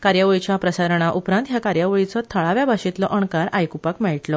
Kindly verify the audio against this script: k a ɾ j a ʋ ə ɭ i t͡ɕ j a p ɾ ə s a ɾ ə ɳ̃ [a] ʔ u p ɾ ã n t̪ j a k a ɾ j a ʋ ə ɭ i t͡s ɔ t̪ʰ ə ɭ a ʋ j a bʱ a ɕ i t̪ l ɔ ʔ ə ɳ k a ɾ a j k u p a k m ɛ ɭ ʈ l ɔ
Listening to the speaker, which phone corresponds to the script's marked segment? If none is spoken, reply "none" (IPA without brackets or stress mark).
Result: a